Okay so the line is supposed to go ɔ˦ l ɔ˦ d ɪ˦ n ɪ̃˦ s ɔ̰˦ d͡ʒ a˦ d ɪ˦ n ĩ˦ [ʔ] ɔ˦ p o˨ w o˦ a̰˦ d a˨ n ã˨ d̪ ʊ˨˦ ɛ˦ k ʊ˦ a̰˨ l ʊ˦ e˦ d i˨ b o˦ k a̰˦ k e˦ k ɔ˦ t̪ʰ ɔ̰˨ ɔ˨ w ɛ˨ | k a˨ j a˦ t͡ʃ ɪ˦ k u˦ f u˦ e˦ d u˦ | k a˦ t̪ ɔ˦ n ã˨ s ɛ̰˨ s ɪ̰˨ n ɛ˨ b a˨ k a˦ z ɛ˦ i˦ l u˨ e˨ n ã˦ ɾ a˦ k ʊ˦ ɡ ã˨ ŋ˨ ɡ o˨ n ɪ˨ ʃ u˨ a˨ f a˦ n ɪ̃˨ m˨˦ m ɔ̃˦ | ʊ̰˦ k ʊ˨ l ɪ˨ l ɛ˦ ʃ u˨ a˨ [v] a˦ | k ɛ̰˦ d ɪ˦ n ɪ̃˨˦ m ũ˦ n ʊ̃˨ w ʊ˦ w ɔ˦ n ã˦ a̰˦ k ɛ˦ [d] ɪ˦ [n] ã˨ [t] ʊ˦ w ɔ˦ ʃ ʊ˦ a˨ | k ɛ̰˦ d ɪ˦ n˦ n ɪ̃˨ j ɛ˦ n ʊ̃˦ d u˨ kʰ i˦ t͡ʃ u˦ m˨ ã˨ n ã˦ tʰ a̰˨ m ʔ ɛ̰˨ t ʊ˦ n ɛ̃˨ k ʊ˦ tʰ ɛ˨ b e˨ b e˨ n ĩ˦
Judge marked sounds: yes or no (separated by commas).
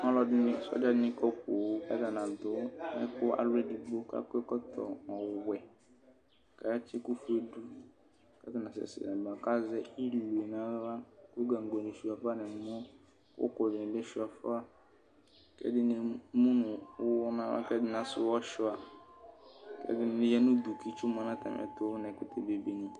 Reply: no, no, yes, yes, no